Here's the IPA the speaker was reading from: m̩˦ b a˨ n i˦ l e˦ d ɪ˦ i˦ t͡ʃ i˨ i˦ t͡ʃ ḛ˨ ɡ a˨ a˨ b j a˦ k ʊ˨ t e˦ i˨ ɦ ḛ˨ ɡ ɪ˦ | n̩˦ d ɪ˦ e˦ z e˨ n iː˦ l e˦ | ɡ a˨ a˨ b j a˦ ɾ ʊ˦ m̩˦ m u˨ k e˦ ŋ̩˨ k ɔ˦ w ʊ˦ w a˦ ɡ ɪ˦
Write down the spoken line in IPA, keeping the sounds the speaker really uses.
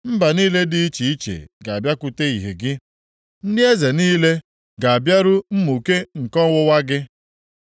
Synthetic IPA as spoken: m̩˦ b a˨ n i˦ l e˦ d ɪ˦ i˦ t͡ʃ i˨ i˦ t͡ʃ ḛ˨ ɡ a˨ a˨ b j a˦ k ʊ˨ t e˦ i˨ ɦ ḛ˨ ɡ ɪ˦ | n̩˦ d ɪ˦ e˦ z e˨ n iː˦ l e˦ | ɡ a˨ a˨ b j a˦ ɾ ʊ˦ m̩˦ m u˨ k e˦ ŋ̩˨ k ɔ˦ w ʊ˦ w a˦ ɡ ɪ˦